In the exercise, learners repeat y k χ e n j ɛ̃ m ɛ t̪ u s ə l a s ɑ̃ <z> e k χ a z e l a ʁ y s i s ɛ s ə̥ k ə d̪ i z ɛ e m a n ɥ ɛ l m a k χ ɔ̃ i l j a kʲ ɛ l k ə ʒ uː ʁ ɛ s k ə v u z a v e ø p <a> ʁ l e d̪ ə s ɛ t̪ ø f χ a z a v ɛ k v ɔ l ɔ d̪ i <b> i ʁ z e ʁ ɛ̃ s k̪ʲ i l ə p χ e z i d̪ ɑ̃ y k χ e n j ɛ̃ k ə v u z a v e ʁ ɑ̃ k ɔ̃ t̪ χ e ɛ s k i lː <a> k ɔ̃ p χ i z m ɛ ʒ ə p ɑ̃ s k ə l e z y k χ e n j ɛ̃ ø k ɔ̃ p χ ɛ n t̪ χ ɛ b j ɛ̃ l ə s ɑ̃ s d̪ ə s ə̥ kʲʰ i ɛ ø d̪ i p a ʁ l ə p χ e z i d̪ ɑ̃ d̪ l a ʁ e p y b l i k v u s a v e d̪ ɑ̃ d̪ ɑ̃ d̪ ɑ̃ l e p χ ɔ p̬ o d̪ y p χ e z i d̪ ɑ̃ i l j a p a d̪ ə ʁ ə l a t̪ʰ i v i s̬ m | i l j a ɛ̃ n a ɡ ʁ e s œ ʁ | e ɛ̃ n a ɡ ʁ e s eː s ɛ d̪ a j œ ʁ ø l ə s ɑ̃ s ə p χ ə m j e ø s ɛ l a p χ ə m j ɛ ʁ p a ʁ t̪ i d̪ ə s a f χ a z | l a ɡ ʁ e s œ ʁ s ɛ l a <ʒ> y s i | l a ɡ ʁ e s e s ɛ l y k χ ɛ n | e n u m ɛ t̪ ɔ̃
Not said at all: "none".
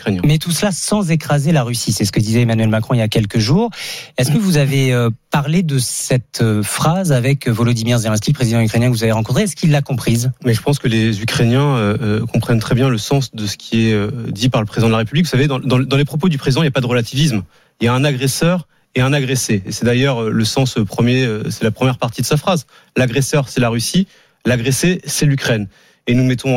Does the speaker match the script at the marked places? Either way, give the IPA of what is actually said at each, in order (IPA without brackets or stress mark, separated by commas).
z, a, m, a, ʁ